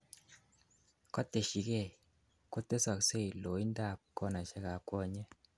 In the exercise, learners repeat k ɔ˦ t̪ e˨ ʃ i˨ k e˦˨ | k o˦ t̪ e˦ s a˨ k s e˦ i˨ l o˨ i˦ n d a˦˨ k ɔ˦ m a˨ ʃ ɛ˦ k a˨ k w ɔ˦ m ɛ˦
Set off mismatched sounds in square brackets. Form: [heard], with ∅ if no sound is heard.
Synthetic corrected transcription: k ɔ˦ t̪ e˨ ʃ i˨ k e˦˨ | k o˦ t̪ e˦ s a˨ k s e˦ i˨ l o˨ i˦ n d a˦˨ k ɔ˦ [n] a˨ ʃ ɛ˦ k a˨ k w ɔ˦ [ɲ] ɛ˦